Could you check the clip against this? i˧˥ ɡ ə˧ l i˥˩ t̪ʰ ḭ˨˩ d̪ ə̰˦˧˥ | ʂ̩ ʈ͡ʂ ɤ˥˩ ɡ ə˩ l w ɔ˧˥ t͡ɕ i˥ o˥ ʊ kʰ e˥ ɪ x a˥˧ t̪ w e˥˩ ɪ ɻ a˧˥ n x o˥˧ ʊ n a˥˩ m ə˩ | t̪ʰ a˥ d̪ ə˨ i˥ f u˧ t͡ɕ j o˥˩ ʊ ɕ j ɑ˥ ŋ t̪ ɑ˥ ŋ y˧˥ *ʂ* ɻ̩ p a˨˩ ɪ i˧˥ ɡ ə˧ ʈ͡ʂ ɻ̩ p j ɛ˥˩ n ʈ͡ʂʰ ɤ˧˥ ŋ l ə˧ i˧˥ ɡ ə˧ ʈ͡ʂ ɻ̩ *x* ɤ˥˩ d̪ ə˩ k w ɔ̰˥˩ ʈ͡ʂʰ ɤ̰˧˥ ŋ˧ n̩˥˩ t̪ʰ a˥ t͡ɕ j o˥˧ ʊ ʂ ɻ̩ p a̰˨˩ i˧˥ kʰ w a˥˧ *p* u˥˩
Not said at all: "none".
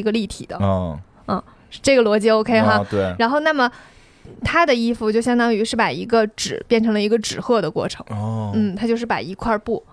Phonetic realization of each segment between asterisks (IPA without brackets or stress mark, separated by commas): ʂ, x, p